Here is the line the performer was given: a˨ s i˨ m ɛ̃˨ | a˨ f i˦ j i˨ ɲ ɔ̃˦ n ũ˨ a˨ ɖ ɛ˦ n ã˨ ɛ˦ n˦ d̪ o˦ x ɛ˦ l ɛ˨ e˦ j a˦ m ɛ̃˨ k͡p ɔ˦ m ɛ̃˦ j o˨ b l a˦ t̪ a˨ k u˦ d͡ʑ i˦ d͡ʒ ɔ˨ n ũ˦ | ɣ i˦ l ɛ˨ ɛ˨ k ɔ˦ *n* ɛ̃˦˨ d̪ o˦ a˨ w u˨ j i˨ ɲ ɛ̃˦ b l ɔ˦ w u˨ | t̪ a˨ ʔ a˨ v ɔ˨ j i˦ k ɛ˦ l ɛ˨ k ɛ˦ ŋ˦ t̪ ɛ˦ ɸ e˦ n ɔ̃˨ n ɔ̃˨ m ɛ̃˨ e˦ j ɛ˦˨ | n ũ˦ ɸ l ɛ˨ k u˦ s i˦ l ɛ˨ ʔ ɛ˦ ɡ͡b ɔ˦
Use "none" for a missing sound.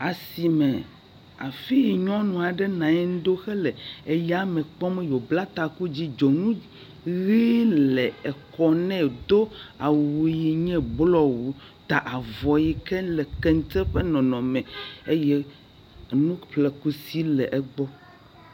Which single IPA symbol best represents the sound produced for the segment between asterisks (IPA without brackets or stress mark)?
n